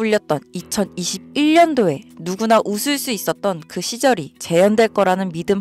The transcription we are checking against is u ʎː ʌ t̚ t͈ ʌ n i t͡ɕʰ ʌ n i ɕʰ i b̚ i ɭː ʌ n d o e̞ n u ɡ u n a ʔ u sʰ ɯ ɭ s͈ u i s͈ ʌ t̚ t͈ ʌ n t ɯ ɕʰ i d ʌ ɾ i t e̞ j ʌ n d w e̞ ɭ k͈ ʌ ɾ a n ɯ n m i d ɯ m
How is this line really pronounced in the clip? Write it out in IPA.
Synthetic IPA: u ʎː ʌ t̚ t͈ ʌ n i t͡ɕʰ ʌ n i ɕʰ i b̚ i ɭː ʌ n d o e̞ n u ɡ u n a ʔ u sʰ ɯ ɭ s͈ u i s͈ ʌ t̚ t͈ ʌ n k ɯ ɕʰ i d͡ʑ ʌ ɾ i t͡ɕ e̞ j ʌ n d w e̞ ɭ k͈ ʌ ɾ a n ɯ n m i d ɯ m

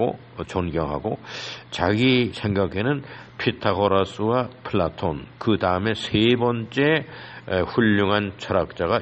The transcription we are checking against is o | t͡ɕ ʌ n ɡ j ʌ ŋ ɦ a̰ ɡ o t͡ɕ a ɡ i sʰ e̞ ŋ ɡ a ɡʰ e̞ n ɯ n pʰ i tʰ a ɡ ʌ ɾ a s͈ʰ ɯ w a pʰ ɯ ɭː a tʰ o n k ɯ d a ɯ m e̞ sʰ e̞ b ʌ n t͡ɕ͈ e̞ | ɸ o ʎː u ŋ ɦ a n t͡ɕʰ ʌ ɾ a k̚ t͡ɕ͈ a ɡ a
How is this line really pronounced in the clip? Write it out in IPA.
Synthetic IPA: o | t͡ɕ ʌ n ɡ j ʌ ŋ ɦ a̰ ɡ o t͡ɕ a ɡ i sʰ e̞ ŋ ɡ a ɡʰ e̞ n ɯ n pʰ i tʰ a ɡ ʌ ɾ a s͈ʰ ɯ w a pʰ ɯ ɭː a tʰ o n k ɯ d a ɯ m e̞ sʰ e̞ b ʌ n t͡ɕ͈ e̞ | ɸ u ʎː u ŋ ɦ a n t͡ɕʰ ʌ ɾ a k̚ t͡ɕ͈ a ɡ a

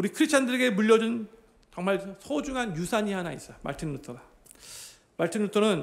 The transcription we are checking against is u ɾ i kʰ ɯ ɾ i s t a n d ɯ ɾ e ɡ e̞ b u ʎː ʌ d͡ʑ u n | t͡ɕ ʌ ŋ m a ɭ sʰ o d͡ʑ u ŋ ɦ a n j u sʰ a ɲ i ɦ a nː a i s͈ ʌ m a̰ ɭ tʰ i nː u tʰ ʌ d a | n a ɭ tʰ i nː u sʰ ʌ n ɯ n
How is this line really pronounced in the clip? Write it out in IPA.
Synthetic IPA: u ɾ i kʰ ɯ ɾ i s t͡ɕʰ a n d ɯ ɾ e ɡ e̞ m u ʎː ʌ d͡ʑ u n | t͡ɕ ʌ ŋ m a ɭ sʰ o d͡ʑ u ŋ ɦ a n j u sʰ a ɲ i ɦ a n a i s͈ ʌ m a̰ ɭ tʰ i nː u tʰ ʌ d a | m a ɭ tʰ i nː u tʰ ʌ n ɯ n

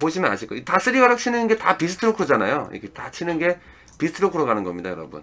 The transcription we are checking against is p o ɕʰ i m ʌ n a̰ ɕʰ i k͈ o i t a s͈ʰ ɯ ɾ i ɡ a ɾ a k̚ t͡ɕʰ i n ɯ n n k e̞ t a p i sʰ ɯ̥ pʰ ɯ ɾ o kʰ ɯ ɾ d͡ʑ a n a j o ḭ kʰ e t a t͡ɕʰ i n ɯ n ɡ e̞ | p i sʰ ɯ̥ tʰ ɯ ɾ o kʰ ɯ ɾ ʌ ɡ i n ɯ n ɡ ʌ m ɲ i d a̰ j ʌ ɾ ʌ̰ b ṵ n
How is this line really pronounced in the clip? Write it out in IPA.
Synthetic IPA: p o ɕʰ i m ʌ n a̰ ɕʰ i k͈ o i t a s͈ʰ ɯ ɾ i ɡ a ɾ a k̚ t͡ɕʰ i n ɯ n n ɡ e̞ t a p i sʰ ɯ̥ tʰ ɯ ɾ o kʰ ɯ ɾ d͡ʑ a n a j o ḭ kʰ e t a t͡ɕʰ i n ɯ n ɡ e̞ | p i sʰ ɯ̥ tʰ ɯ ɾ o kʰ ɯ ɾ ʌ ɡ a n ɯ n ɡ ʌ m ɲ i d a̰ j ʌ ɾ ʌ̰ b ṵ n

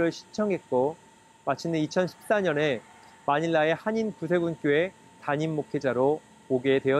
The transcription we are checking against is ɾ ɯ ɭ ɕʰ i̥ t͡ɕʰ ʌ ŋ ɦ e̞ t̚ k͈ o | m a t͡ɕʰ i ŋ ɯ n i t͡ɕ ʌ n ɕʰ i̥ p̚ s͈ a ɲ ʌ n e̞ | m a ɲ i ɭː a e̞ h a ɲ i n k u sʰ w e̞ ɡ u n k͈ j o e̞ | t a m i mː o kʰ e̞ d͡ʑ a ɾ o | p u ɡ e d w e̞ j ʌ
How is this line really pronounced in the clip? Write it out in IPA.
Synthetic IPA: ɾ ɯ ɭ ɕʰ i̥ t͡ɕʰ ʌ ŋ ɦ e̞ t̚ k͈ o | m a t͡ɕʰ i n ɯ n i t͡ɕʰ ʌ n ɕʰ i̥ p̚ s͈ a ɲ ʌ n e̞ | m a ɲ i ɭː a e̞ h a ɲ i n k u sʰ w e̞ ɡ u n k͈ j o e̞ | t a ɲ i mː o kʰ e̞ d͡ʑ a ɾ o | p o ɡ e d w e̞ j ʌ

